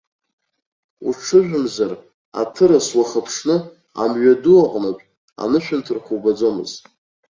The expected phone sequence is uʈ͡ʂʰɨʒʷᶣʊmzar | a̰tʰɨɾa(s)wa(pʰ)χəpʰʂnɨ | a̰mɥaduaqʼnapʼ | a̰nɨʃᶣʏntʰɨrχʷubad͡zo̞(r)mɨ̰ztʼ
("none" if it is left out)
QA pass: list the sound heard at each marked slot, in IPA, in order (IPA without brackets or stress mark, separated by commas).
s, none, none